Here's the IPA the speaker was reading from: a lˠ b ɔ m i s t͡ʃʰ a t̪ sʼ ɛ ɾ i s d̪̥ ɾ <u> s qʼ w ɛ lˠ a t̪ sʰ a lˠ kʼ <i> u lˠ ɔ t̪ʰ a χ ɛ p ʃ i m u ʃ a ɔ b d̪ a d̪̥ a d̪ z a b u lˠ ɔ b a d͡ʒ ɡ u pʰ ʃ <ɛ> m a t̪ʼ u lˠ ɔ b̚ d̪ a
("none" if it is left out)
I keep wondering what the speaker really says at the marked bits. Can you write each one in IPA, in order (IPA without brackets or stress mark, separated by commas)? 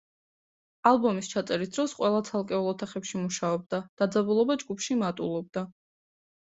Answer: ɔ, ɛ, i